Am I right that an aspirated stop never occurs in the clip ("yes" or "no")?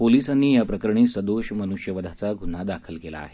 no